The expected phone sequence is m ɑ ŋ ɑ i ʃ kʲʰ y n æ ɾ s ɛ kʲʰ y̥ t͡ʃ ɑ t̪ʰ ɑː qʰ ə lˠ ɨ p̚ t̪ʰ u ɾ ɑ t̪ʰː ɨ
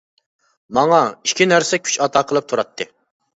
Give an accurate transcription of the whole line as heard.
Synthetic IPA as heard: m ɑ ŋ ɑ i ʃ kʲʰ i n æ ɾ s ɛ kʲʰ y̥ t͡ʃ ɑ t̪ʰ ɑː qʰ ə lˠ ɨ p̚ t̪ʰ u ɾ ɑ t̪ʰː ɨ

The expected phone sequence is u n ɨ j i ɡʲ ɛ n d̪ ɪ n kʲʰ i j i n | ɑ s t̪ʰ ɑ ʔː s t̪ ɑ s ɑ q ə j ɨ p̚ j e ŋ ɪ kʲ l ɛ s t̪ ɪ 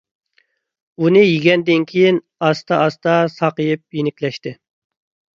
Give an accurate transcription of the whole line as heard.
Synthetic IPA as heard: u n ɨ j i ɡʲ ɛ n d̪ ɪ n kʲʰ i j i n | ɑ s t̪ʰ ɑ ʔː s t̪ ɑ s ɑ q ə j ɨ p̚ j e n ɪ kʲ l ɛ ʃ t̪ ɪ

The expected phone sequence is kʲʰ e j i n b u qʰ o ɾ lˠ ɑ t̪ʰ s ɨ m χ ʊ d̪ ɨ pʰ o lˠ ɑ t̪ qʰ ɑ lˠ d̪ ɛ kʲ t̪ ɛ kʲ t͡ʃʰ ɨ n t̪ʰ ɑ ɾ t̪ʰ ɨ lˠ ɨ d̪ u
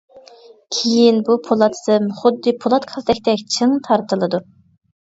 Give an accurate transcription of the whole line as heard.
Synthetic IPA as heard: kʲʰ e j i n b u pʰ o lˠ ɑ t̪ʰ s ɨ m χ ʊ d̪ː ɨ pʰ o lˠ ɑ t̪ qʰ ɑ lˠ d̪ ɛ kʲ t̪ ɛ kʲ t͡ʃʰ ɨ ŋ t̪ʰ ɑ ɾ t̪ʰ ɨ lˠ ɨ d̪ u

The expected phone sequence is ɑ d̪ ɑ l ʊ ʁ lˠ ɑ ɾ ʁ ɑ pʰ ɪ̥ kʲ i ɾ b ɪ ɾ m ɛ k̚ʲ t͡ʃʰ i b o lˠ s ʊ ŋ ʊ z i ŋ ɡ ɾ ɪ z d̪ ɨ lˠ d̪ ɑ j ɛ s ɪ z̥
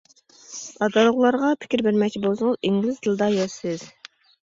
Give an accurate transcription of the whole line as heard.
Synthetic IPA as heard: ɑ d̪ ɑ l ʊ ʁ lˠ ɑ ɾ ʁ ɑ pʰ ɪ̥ kʲ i ɾ b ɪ ɾ m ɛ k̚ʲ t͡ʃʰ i b o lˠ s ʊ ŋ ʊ z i ŋ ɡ l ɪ z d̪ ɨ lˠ d̪ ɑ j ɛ s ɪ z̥

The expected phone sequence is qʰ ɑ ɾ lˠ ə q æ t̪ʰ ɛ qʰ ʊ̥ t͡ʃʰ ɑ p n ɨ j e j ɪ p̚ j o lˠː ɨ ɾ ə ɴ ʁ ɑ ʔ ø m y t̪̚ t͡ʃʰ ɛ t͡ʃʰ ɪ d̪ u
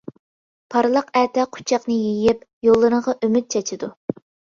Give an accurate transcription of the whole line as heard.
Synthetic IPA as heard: pʰ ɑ ɾ lˠ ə q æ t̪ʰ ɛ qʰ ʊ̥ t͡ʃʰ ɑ q n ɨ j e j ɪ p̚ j o lˠː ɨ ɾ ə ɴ ʁ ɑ ʔ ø m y t̪̚ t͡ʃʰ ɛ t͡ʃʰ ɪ d̪ u

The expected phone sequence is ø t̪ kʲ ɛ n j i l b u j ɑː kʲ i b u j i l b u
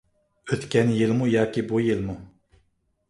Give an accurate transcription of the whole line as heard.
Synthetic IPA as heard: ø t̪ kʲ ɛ n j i l m u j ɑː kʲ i b u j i l m u

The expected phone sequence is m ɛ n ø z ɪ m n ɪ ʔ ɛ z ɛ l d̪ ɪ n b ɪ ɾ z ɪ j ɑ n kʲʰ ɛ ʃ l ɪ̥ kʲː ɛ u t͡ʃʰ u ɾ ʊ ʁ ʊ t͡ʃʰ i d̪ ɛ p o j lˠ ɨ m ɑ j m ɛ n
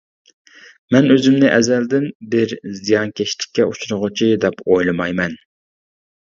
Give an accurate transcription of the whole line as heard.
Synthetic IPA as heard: m ɛ n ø z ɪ m n ɪ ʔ ɛ z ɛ l d̪ ɪ n b ɪ ɾ z i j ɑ n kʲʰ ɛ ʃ l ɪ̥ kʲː ɛ u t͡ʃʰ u ɾ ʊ ʁ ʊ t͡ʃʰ i d̪ ɛ p o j lˠ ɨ m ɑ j m ɛ n

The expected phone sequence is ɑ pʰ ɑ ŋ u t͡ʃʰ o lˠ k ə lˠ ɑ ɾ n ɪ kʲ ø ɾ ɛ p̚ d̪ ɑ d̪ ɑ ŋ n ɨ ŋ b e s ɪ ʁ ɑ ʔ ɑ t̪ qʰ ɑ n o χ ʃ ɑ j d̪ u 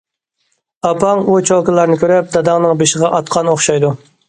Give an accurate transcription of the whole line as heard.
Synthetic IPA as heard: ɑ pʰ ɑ ŋ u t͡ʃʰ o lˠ k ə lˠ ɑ ɾ n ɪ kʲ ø ɾ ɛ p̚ d̪ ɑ d̪ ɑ ŋ n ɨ ŋ b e ʃ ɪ ʁ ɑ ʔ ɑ t̪ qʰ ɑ n o χ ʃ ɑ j d̪ u

